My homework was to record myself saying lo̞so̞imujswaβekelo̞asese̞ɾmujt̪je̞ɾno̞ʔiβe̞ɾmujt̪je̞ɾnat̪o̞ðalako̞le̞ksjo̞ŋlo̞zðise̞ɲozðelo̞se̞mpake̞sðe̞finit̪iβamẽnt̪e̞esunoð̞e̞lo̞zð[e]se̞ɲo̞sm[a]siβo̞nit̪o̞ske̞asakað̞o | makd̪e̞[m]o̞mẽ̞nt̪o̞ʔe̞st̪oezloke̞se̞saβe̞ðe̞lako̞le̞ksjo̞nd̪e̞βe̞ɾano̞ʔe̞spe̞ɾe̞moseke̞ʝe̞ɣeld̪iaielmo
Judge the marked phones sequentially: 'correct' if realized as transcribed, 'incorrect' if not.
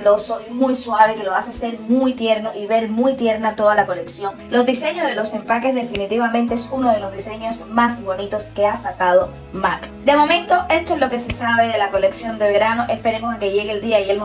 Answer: incorrect: i, correct, correct

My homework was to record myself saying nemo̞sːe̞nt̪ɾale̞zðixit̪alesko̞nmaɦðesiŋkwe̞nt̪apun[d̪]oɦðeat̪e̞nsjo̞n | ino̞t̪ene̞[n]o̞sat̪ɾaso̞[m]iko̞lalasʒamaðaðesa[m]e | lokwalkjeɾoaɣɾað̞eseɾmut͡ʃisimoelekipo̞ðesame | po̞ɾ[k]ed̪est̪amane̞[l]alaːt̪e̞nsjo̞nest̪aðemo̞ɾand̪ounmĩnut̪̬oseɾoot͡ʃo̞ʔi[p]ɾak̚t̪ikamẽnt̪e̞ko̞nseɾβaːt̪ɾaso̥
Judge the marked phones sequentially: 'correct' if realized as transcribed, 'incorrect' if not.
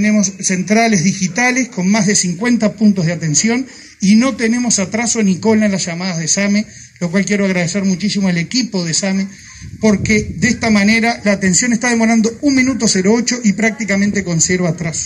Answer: incorrect: t̪, incorrect: m, incorrect: n, correct, correct, incorrect: ɾ, correct

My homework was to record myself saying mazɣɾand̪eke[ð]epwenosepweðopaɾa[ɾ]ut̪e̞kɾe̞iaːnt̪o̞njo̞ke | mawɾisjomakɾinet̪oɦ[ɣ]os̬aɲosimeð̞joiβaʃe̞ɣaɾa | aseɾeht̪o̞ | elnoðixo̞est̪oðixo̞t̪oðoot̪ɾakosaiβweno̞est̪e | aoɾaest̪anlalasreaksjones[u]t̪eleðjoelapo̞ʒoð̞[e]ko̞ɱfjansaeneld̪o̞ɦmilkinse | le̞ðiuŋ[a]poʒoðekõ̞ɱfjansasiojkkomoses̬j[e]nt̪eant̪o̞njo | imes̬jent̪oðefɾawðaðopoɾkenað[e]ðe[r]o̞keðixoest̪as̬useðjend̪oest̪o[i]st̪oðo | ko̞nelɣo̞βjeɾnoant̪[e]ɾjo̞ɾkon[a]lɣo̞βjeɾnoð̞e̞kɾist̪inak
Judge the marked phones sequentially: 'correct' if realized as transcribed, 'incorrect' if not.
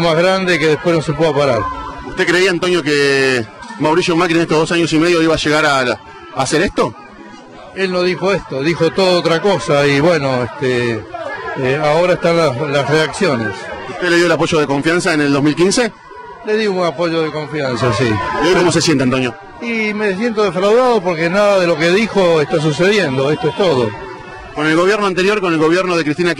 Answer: correct, correct, incorrect: ð, correct, correct, correct, correct, incorrect: a, incorrect: l, incorrect: e, correct, incorrect: e

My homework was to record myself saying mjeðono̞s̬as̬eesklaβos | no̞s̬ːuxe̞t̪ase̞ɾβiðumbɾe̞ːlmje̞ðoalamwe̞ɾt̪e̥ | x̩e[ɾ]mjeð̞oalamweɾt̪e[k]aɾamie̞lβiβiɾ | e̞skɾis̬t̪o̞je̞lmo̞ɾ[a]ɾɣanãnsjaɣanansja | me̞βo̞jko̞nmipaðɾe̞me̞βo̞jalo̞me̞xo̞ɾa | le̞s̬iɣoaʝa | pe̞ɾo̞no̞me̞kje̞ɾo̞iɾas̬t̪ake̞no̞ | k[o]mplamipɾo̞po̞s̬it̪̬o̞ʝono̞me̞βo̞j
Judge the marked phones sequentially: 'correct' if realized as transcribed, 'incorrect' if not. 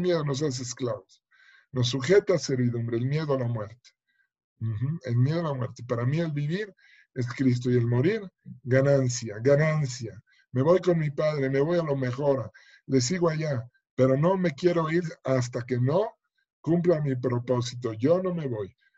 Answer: incorrect: l, incorrect: p, incorrect: i, incorrect: u

